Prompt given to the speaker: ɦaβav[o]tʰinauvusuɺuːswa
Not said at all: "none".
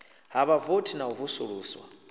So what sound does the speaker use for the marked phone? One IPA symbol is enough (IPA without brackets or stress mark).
o